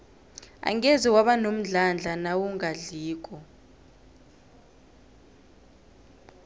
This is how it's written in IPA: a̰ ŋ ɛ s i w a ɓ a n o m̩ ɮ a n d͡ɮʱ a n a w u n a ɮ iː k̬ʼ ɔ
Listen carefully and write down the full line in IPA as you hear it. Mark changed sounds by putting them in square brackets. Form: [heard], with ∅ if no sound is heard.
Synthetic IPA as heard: a̰ ŋ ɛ [z] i w a ɓ a n o m̩ ɮ a n d͡ɮʱ a n a w u [ŋ] a ɮ iː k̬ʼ ɔ